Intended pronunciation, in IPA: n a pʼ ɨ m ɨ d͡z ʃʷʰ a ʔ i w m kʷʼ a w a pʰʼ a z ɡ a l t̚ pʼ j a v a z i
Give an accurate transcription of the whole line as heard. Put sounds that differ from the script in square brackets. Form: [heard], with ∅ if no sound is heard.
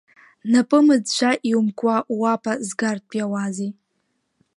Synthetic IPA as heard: n a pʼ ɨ m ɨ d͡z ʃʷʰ a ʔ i w m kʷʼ a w a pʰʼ a z ɡ a [r] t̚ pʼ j a [w] a z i